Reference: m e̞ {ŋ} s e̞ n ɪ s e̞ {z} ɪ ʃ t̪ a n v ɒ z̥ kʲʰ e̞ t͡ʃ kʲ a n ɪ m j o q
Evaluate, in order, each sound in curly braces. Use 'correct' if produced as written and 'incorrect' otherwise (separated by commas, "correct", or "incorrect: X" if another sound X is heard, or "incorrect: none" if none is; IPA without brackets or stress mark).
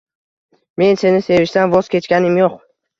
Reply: incorrect: n, incorrect: v